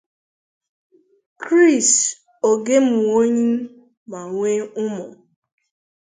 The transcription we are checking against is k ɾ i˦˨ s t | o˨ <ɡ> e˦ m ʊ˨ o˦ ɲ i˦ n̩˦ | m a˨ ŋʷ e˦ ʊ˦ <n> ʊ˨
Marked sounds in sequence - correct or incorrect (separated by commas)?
correct, incorrect